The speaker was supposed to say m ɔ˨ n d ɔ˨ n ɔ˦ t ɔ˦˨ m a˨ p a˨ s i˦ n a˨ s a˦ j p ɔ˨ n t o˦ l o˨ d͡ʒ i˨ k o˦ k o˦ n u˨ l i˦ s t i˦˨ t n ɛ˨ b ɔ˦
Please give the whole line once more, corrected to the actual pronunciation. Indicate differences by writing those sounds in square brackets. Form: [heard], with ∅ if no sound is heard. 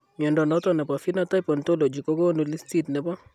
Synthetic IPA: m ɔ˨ n d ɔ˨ n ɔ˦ t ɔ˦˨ [n] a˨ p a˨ [f] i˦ n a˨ [t] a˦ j p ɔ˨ n t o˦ l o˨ d͡ʒ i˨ k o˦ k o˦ n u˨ l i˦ s t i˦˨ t n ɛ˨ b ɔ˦